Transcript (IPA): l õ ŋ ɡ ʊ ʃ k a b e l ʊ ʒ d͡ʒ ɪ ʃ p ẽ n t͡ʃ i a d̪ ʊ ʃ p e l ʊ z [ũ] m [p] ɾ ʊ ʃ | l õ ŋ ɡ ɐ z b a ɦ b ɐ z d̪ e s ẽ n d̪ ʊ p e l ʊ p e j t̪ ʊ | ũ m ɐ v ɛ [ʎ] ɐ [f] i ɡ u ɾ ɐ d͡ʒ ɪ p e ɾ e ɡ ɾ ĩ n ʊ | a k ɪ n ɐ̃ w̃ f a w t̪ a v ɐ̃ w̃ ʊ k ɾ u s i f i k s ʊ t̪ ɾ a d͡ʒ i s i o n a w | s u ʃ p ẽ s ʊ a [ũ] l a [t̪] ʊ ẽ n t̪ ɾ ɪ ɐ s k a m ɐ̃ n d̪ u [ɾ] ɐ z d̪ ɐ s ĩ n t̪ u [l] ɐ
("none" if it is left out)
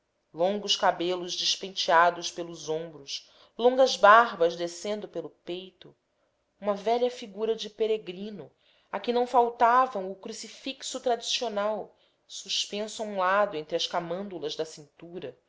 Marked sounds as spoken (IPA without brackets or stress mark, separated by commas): õ, b, ʎ, f, ũ, d̪, l, ɾ